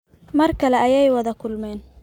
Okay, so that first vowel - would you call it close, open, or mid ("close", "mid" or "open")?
open